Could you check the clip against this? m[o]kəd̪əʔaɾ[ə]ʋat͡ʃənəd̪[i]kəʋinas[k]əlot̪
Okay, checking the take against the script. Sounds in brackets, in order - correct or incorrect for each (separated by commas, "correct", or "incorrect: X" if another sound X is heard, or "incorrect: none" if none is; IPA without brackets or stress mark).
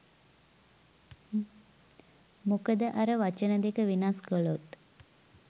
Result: incorrect: u, correct, incorrect: e, correct